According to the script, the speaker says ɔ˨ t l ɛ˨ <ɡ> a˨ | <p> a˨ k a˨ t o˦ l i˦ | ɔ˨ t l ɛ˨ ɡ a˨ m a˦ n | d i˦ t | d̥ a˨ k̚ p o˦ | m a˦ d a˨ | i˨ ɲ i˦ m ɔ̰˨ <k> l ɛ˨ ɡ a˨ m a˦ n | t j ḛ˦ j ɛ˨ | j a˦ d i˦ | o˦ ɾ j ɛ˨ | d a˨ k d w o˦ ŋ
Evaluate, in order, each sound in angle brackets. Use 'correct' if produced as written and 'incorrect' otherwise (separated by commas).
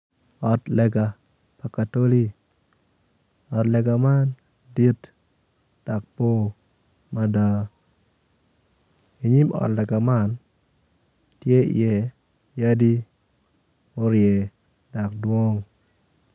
correct, correct, incorrect